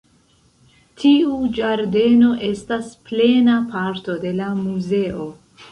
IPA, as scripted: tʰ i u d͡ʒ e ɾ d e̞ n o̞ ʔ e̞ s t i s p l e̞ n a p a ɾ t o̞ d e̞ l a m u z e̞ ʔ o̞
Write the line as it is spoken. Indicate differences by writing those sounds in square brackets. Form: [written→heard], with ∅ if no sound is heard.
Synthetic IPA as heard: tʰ i u d͡ʒ [e→a] ɾ d e̞ n o̞ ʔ e̞ s t [i→a] s p l e̞ n a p a ɾ t o̞ d e̞ l a m u z e̞ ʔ o̞